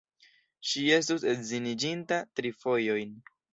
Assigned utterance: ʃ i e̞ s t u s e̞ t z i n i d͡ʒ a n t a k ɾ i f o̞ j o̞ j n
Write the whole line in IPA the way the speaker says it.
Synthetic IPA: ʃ i e̞ s t u s e̞ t z i n i d͡ʒ i n t a t ɾ i f o̞ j o̞ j n